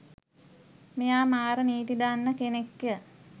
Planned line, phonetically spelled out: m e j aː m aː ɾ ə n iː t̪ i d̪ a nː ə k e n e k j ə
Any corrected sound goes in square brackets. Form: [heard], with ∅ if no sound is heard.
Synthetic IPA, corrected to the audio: m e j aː m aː ɾ ə n iː t̪ i d̪ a nː ə k e n e k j ə